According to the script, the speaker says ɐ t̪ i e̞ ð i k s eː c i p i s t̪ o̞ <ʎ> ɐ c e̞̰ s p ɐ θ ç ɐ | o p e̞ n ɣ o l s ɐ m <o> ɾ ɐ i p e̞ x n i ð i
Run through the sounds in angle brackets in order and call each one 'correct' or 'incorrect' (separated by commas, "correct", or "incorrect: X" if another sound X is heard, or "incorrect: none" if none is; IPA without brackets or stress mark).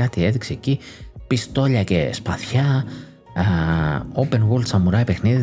correct, incorrect: u